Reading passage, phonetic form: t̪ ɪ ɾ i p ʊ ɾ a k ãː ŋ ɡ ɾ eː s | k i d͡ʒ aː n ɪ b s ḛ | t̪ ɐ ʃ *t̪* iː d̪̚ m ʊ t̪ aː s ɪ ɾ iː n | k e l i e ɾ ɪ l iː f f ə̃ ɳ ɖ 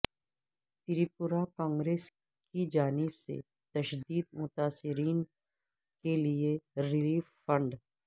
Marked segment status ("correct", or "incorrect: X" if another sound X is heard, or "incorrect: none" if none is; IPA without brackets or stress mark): incorrect: d̪